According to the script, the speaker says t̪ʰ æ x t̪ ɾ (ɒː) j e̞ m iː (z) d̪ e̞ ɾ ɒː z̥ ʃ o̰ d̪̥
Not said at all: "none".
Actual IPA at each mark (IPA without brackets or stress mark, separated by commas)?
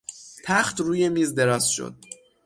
uː, z